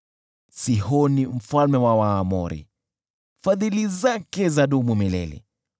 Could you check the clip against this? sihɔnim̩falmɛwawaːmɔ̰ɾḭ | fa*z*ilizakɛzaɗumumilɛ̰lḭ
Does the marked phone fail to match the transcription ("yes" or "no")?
yes